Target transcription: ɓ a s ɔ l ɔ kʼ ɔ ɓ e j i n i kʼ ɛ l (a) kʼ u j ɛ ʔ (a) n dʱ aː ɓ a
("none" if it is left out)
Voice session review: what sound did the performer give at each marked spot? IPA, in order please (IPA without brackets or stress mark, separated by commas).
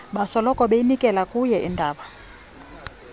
a, i